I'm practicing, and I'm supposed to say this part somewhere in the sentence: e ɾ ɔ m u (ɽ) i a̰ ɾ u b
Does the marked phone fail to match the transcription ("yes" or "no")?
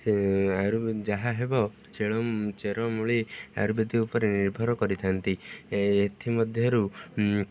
yes